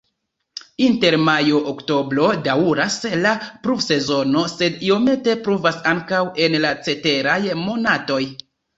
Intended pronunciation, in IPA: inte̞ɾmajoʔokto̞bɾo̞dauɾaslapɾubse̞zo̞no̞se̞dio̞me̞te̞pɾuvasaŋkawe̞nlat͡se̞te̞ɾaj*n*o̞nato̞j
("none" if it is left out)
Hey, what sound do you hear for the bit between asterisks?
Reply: m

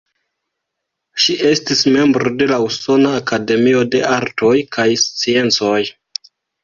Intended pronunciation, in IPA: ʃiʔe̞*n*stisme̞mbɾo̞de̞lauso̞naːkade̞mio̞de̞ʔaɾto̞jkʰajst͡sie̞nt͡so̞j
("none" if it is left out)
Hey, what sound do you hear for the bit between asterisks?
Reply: none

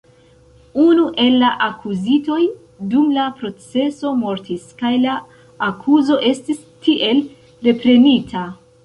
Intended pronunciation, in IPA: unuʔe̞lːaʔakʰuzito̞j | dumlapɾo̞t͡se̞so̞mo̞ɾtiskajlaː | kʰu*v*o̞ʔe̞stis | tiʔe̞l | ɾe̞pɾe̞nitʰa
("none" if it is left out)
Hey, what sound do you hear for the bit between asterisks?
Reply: z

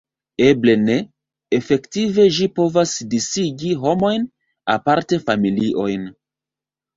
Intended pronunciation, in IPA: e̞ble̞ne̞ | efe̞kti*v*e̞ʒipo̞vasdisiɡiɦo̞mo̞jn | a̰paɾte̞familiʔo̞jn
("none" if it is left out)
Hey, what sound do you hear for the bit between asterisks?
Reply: v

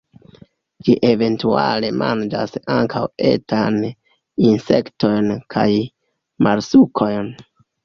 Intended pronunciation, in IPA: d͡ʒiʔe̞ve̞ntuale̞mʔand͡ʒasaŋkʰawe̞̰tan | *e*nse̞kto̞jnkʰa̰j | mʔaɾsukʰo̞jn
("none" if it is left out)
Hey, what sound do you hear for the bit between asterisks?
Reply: i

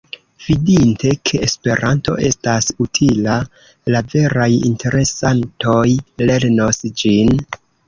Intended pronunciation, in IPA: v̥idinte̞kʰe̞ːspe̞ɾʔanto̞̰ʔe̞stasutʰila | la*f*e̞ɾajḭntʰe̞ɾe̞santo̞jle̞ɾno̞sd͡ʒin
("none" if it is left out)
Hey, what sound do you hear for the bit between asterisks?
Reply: v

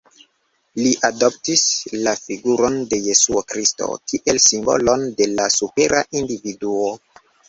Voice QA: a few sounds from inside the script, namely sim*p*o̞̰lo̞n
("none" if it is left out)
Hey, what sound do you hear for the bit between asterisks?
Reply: b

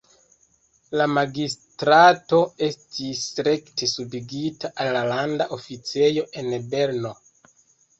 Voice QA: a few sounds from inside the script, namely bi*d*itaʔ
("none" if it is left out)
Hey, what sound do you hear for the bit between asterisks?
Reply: ɡ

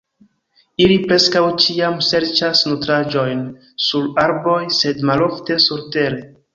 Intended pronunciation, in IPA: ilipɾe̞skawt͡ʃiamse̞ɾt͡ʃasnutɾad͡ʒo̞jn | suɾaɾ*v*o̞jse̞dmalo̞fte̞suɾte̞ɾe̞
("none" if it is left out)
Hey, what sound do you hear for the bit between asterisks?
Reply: b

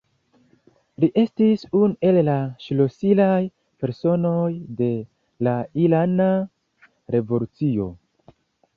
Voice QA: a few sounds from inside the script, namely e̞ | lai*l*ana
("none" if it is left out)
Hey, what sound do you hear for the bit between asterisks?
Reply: l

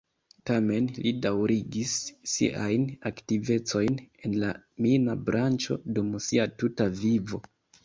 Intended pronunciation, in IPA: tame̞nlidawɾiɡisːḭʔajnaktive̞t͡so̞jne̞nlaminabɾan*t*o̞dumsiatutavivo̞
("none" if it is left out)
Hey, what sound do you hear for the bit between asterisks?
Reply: t͡ʃ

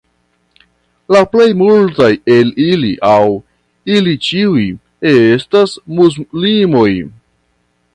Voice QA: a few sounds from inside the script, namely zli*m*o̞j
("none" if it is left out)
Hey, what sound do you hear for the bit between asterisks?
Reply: m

